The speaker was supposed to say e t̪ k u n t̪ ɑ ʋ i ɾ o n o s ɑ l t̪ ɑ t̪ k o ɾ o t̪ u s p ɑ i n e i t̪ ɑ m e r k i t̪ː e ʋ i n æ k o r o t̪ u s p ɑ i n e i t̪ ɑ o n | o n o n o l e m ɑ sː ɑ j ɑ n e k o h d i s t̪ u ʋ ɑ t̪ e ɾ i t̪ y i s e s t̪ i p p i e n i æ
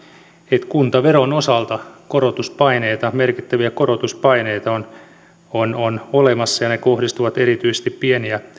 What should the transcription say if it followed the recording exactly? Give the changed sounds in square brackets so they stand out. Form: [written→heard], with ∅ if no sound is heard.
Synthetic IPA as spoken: e t̪ k u n t̪ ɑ ʋ [i→e] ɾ o n o s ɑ l t̪ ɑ [t̪→∅] k o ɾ o t̪ u s p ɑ i n e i t̪ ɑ m e r k i t̪ː [e→æ] ʋ i [n→∅] æ k o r o t̪ u s p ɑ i n e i t̪ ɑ o n | o n o n o l e m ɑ sː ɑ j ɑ n e k o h d i s t̪ u ʋ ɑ t̪ e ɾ i t̪ y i s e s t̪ i p p i e n i æ